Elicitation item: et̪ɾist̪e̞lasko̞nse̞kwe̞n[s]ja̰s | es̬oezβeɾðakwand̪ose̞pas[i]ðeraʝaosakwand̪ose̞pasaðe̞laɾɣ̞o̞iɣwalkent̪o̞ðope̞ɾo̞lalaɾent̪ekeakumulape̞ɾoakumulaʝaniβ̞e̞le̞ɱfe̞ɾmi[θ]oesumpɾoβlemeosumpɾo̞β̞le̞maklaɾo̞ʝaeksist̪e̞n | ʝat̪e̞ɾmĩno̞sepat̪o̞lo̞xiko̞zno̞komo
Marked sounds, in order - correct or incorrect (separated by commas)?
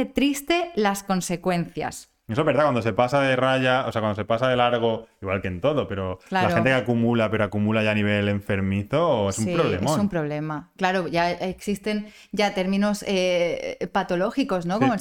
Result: incorrect, incorrect, correct